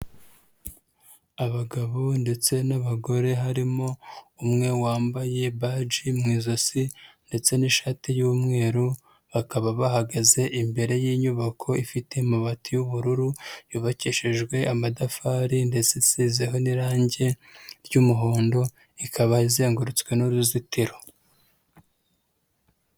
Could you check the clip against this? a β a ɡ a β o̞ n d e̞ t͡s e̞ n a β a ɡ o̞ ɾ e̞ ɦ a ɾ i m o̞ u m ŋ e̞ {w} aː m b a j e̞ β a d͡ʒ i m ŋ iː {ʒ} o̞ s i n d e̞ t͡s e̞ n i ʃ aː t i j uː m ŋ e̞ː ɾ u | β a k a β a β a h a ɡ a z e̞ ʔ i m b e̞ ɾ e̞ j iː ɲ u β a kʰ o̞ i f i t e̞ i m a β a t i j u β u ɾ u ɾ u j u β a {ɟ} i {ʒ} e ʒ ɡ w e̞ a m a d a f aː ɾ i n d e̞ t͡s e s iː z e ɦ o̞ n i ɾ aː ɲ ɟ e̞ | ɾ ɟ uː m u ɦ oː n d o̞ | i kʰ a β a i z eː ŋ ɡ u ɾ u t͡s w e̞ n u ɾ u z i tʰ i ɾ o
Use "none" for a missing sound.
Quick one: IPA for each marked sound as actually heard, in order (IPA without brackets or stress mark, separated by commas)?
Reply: w, z, c, ʃ